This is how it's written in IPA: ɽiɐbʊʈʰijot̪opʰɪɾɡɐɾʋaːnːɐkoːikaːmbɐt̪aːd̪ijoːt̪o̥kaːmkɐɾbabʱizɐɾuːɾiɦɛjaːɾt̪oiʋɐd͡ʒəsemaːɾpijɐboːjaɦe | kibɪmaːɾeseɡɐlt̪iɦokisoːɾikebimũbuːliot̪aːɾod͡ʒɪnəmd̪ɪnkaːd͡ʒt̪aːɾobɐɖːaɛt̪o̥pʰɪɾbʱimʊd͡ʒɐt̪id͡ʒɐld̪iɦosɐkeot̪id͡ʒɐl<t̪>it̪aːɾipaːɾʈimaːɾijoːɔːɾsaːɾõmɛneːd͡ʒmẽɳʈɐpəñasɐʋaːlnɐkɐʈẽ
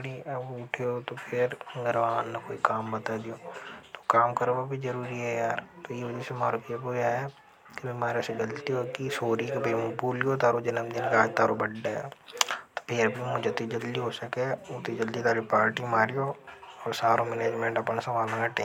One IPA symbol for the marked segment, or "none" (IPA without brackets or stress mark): d̪